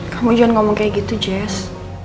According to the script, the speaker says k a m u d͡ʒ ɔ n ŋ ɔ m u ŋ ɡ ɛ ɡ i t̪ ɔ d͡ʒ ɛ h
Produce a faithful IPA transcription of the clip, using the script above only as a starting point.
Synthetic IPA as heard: k a m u d͡ʒ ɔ n ŋ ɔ m ɔ ŋ k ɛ ɡ i t̪ u d͡ʒ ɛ s